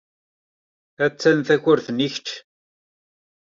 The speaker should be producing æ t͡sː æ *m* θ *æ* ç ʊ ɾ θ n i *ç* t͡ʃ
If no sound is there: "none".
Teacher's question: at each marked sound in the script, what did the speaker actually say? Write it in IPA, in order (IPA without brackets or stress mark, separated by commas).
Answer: n, æ, ç